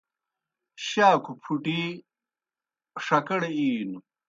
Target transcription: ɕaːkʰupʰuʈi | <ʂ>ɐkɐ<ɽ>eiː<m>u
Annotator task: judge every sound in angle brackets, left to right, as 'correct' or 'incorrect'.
correct, correct, incorrect: n

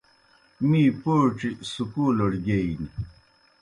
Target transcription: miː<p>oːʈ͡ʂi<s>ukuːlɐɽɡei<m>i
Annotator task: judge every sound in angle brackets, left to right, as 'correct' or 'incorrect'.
correct, correct, incorrect: n

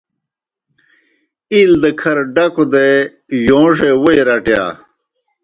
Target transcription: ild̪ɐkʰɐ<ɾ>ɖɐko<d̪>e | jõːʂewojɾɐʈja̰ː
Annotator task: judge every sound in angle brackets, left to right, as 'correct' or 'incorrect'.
correct, correct

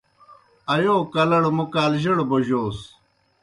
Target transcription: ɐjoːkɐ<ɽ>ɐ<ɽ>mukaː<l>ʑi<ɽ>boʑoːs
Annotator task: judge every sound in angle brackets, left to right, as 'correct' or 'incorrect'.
incorrect: l, correct, correct, correct

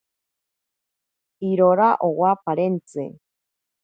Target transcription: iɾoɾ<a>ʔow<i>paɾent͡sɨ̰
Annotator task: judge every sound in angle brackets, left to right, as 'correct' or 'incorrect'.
correct, incorrect: a

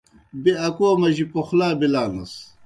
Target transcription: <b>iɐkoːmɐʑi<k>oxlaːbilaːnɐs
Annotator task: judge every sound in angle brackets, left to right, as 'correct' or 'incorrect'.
correct, incorrect: p

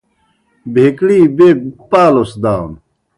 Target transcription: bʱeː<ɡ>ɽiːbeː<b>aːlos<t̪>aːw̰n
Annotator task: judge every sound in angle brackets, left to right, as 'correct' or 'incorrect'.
incorrect: k, incorrect: p, incorrect: d̪

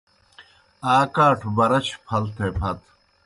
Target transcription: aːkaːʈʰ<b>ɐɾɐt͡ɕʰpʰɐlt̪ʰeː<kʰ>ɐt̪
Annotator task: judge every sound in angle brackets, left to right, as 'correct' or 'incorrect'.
correct, incorrect: pʰ

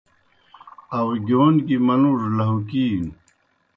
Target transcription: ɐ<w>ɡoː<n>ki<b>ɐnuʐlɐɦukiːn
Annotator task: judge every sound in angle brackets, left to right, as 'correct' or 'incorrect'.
correct, correct, incorrect: m

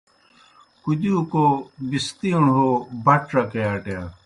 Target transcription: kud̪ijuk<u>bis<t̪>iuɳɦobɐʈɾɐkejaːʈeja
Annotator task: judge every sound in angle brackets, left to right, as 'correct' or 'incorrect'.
incorrect: o, correct

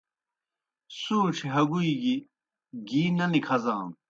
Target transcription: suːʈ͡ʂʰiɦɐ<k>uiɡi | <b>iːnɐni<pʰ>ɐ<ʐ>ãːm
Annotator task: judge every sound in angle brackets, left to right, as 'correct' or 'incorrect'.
incorrect: ɡ, incorrect: ɡ, incorrect: kʰ, incorrect: z

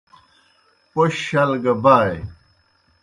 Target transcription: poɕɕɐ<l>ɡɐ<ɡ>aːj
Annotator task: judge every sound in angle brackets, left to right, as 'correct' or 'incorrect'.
correct, incorrect: b

